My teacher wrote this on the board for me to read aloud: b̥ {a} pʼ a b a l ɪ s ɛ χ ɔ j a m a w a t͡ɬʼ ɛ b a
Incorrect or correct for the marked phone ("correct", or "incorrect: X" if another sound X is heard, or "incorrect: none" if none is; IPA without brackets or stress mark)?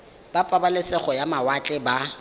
correct